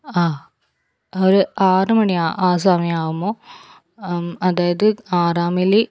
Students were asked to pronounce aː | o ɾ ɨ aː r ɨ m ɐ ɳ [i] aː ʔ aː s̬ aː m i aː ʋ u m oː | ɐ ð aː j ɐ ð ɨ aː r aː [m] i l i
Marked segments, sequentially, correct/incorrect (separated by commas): correct, correct